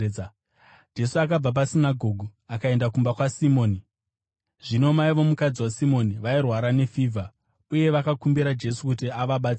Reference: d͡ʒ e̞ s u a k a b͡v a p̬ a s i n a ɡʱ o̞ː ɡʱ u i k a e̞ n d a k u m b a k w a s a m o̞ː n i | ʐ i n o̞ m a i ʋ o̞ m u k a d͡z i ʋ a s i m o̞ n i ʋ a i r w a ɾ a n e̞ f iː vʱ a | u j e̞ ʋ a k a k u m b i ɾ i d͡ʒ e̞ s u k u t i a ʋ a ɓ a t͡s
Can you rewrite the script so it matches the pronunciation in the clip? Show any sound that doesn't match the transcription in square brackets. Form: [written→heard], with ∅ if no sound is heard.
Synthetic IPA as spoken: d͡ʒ e̞ s u a k a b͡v a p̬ a s i n a ɡʱ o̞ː ɡʱ u [i→a] k a e̞ n d a k u m b a k w a s [a→i] m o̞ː n i | ʐ i n o̞ m a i ʋ o̞ m u k a d͡z i [ʋ→w] a s i m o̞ n i ʋ a i r w a ɾ a n e̞ f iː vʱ a | u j e̞ ʋ a k a k u m b i ɾ [i→a] d͡ʒ e̞ s u k u t i a ʋ a ɓ a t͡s